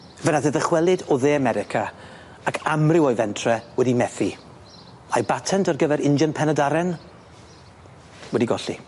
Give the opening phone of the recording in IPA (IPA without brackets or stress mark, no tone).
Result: v